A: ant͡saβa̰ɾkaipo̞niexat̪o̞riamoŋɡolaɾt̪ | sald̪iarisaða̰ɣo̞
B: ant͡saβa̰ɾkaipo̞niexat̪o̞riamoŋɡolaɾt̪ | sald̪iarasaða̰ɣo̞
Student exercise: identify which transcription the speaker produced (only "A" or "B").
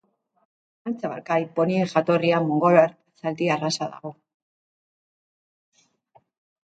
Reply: B